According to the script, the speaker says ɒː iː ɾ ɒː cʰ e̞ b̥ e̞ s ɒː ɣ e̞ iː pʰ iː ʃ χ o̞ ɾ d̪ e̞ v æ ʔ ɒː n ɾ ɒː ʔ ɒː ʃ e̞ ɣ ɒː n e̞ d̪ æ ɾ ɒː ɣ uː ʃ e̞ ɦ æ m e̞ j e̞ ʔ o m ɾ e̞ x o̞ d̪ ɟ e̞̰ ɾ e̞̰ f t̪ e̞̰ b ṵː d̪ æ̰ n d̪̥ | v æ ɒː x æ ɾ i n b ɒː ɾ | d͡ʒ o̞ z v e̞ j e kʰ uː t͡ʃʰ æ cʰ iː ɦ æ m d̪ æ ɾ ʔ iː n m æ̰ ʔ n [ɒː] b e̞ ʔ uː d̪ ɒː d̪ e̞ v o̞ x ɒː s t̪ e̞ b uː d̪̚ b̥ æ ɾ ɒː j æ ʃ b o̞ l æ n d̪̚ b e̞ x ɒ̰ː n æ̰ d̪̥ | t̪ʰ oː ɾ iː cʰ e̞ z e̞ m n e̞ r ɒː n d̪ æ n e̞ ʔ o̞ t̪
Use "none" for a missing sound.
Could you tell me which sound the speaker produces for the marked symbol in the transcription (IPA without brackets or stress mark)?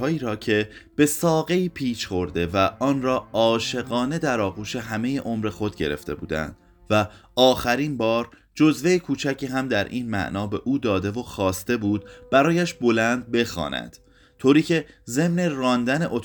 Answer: ɒː